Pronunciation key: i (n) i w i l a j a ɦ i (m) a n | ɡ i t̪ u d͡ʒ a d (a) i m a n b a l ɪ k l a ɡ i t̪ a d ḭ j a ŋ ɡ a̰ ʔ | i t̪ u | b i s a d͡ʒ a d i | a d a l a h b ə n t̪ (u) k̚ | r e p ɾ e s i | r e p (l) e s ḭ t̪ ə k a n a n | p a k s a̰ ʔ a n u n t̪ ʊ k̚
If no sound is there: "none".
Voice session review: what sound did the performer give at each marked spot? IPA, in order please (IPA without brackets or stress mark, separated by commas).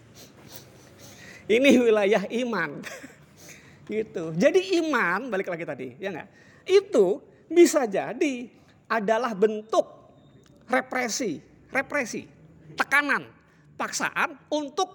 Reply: n, m, i, ʊ, ɾ